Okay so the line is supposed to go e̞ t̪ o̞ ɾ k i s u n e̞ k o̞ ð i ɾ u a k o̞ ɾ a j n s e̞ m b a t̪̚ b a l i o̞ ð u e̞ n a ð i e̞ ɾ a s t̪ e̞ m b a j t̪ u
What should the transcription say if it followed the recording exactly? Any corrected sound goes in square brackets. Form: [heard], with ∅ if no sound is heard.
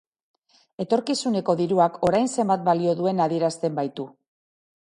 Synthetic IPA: e̞ t̪ o̞ ɾ k i s u n e̞ k o̞ ð i ɾ u a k o̞ ɾ a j n s e̞ m b a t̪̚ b a l i o̞ ð u e̞ n a ð i e̞ ɾ a s t̪ e̞ m b a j t̪ u